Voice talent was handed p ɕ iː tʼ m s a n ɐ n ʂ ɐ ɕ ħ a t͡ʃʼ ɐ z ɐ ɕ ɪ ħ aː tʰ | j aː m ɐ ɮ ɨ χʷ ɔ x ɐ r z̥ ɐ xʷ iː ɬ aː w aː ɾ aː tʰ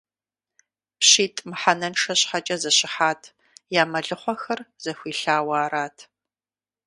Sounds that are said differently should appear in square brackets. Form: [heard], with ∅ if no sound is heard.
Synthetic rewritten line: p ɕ iː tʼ m [ħ] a n ɐ n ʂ ɐ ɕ ħ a t͡ʃʼ ɐ z ɐ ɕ ɪ ħ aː tʰ | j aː m ɐ ɮ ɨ χʷ ɔ x ɐ r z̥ ɐ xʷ iː ɬ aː w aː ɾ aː tʰ